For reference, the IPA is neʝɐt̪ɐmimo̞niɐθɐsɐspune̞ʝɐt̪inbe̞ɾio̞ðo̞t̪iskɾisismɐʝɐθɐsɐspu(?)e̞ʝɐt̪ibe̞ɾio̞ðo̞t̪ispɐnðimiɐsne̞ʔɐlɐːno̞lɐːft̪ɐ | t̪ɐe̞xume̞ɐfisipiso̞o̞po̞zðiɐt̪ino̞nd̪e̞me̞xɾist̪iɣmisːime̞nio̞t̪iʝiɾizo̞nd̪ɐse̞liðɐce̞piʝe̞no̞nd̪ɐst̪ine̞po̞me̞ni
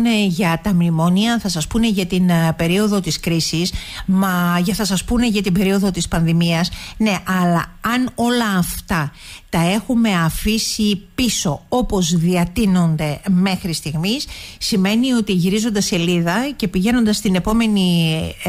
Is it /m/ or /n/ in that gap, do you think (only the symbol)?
n